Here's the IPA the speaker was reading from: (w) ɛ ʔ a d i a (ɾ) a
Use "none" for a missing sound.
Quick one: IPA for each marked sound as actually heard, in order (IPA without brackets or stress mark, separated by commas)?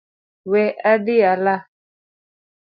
w, l